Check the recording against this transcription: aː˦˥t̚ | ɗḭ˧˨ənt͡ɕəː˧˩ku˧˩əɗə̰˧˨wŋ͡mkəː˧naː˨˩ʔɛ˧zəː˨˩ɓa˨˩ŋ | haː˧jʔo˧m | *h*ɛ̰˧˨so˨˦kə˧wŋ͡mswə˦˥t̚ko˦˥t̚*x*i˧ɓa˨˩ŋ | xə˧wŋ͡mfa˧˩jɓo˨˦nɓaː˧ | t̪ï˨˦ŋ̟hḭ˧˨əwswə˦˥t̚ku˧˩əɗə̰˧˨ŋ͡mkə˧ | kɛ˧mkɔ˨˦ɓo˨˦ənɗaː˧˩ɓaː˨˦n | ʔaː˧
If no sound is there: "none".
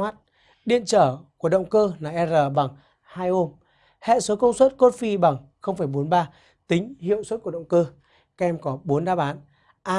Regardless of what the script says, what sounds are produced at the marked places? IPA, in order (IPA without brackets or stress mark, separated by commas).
h, f